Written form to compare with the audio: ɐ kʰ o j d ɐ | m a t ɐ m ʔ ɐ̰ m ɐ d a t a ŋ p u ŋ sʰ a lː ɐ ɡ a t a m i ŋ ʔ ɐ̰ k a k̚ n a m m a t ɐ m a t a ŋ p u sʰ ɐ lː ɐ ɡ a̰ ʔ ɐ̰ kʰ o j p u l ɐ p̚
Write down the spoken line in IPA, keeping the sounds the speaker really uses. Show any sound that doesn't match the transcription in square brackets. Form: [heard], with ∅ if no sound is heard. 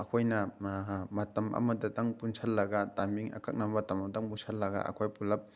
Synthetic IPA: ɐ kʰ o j [n] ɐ | m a t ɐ m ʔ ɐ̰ m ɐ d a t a ŋ p u [n] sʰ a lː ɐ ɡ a t a m i ŋ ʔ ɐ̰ k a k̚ n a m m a t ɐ m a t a ŋ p u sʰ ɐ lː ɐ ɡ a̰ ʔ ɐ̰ kʰ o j p u l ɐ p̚